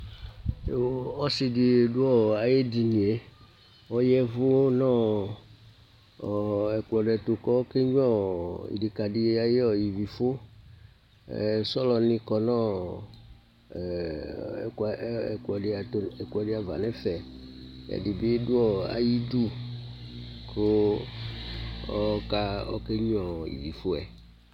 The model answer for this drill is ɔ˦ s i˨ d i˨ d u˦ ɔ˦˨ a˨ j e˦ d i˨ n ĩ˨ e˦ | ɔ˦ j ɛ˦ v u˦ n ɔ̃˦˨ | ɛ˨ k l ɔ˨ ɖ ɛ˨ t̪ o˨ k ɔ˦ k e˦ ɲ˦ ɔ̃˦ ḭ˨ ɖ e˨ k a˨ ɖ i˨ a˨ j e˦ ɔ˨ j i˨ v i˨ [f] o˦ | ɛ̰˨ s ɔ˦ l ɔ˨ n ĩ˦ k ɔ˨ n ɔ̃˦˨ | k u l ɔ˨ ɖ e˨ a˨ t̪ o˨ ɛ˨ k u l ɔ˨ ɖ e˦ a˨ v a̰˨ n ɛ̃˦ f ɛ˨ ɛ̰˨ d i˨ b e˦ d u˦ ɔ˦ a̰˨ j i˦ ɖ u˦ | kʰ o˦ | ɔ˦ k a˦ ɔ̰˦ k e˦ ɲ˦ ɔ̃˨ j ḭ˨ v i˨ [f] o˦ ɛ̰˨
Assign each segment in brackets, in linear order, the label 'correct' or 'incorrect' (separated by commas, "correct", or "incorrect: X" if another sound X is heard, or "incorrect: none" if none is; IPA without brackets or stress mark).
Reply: correct, correct